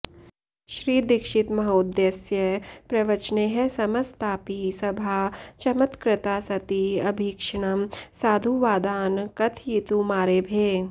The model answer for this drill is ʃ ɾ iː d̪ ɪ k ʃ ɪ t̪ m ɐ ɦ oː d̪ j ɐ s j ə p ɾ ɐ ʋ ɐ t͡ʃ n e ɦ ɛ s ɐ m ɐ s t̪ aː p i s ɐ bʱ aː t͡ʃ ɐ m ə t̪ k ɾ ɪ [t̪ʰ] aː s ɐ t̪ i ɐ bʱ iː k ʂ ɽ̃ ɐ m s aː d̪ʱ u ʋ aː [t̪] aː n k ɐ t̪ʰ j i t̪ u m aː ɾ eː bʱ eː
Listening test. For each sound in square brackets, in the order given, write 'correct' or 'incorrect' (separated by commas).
incorrect, incorrect